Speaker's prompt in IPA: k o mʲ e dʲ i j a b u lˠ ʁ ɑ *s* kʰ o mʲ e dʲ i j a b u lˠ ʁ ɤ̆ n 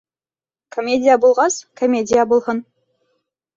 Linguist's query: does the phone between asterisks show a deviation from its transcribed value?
no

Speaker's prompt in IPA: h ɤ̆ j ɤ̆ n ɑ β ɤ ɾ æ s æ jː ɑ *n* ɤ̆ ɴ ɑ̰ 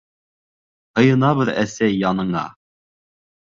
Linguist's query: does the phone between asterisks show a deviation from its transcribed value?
no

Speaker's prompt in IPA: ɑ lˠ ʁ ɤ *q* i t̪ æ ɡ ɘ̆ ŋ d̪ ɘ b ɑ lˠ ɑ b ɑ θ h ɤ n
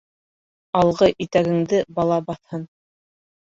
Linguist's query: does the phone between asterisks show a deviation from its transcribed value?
yes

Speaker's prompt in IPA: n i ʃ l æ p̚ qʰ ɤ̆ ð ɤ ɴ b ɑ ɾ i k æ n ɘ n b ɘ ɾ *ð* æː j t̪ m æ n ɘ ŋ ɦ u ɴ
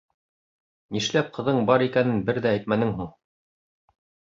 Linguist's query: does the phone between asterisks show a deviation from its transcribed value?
no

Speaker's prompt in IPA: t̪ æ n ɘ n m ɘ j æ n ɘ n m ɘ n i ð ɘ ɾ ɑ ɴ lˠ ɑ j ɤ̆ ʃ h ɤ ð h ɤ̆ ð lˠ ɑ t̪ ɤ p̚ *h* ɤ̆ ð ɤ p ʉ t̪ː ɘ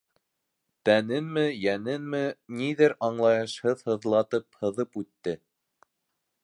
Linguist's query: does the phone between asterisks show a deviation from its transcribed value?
no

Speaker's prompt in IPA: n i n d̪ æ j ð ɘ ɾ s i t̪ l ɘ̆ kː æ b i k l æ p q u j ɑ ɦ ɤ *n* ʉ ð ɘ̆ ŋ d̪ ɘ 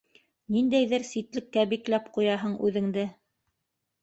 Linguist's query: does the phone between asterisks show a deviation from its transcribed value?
yes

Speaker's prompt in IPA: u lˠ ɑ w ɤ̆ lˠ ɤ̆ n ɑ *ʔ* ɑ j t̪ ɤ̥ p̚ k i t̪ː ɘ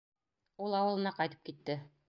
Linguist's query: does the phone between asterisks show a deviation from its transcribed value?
yes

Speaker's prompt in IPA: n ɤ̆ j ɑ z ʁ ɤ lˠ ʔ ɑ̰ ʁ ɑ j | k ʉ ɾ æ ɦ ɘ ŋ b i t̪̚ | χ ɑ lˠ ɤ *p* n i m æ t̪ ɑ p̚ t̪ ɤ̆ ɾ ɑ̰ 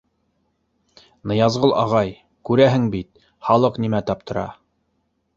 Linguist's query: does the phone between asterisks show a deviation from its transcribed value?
yes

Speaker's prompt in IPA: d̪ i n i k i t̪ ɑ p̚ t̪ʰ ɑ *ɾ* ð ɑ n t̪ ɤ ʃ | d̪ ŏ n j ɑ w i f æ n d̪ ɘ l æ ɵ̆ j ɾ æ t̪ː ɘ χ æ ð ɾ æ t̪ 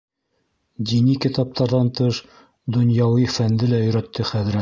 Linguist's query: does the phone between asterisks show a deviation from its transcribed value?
no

